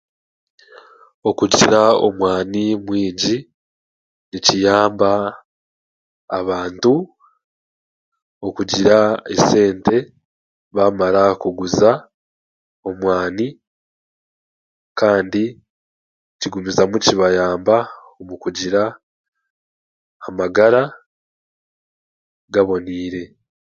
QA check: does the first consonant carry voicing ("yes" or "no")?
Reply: no